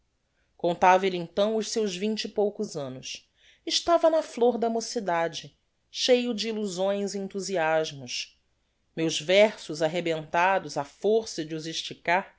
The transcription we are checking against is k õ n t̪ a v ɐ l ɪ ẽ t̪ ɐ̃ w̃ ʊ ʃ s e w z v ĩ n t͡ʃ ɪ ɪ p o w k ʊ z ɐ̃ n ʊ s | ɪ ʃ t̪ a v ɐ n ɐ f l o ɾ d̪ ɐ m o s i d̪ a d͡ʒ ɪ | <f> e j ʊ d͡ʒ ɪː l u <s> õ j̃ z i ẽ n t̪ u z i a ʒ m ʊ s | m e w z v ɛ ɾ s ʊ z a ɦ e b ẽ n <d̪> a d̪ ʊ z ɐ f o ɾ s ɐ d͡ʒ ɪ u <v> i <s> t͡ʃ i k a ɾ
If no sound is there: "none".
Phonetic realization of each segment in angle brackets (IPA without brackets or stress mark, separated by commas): ʃ, z, t̪, z, ʃ